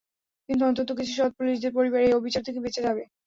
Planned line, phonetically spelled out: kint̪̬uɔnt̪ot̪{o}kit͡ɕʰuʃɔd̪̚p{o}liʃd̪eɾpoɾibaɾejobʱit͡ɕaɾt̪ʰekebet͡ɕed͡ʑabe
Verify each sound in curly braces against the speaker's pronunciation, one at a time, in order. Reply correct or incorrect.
correct, incorrect

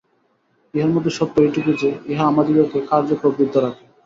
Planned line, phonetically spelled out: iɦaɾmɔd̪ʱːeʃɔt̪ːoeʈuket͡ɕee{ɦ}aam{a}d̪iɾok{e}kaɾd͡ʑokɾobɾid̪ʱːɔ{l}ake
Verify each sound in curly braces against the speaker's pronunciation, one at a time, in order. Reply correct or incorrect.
correct, correct, correct, incorrect

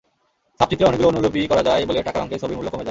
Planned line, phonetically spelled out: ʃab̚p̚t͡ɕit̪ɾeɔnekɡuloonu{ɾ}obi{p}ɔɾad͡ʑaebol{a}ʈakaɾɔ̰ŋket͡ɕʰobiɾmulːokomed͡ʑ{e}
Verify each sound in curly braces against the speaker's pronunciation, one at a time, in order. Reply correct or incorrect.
incorrect, incorrect, incorrect, incorrect

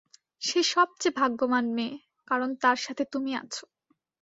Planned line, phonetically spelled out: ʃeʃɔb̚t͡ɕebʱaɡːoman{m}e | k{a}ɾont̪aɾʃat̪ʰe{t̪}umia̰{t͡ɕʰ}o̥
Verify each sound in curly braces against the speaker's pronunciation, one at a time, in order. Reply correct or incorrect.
correct, correct, correct, correct

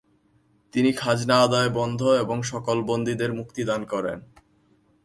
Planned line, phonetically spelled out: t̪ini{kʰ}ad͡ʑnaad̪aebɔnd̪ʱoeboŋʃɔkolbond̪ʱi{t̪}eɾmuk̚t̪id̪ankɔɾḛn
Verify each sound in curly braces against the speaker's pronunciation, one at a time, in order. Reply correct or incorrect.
correct, incorrect

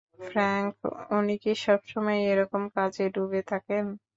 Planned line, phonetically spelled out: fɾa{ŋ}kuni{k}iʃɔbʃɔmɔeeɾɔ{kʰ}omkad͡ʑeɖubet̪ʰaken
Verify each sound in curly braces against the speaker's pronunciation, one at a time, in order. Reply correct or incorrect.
correct, correct, incorrect

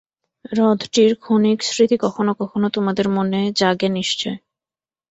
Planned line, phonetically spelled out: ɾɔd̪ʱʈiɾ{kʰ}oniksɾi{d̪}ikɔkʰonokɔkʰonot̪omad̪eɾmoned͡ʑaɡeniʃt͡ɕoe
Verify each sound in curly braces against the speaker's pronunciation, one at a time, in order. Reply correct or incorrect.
correct, incorrect

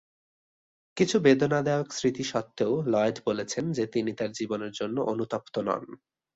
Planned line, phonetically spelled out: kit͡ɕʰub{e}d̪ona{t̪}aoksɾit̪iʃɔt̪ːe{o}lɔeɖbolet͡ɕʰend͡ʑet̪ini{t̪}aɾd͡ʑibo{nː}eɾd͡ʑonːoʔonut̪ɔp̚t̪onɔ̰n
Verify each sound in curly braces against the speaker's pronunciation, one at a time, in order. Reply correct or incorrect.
correct, incorrect, correct, correct, incorrect

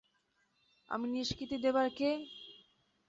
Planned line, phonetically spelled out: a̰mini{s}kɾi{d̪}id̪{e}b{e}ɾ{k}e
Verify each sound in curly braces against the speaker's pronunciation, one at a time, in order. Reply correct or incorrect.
incorrect, incorrect, correct, incorrect, correct

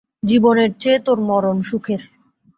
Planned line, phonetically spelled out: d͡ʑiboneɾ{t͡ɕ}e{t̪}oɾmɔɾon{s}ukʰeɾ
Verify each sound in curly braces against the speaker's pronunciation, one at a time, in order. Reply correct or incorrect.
correct, correct, incorrect

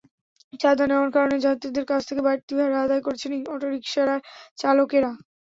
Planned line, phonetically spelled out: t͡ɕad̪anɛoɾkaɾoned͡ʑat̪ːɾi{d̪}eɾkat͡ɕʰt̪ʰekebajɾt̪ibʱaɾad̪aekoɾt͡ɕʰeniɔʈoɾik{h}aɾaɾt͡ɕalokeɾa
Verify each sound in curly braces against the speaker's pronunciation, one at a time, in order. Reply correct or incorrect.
correct, incorrect

